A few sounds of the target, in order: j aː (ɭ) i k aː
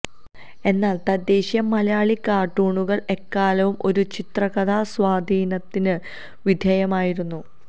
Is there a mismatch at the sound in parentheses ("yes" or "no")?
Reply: no